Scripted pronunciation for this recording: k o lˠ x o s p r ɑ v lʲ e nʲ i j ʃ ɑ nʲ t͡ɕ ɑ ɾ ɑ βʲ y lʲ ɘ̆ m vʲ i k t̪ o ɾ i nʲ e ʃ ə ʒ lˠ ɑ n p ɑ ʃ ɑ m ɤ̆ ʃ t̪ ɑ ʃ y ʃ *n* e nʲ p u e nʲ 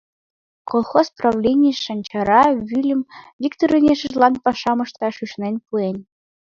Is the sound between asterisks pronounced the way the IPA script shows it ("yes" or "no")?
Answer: yes